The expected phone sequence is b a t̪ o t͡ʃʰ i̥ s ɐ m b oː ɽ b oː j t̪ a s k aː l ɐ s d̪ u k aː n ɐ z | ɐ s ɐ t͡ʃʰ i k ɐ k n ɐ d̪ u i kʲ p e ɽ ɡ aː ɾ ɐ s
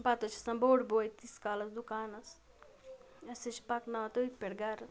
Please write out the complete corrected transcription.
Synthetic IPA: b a t̪ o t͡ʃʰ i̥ s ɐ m b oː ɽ b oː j t̪ i s k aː l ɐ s d̪ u k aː n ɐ s | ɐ s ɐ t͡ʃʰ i p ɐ k n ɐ t̪ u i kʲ p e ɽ ɡ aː ɾ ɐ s